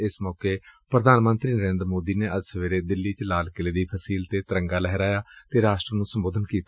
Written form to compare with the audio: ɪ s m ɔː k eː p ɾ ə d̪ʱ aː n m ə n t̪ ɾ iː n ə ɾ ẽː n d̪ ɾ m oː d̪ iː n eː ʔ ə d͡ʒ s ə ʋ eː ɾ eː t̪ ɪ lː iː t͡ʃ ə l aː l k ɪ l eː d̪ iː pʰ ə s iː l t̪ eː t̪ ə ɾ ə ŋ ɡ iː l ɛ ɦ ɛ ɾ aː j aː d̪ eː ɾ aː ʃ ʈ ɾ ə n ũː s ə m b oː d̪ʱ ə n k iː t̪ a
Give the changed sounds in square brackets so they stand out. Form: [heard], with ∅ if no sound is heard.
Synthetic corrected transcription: ɪ s m ɔː k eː p ɾ ə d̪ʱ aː n m ə n t̪ ɾ iː n ə ɾ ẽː n d̪ ɾ m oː d̪ iː n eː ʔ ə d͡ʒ s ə ʋ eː ɾ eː [d̪] ɪ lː iː t͡ʃ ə l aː l k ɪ l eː d̪ iː pʰ ə s iː l t̪ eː t̪ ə ɾ ə ŋ ɡ [aː] l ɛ ɦ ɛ ɾ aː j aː [t̪] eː ɾ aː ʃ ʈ ɾ ə n ũː s ə m b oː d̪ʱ ə n k iː t̪ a